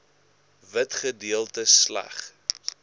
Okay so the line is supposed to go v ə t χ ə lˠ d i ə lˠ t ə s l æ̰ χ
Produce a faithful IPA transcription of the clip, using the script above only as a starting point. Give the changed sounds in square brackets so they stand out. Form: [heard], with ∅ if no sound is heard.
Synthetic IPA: v ə t χ ə [∅] d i ə lˠ t ə s l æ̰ χ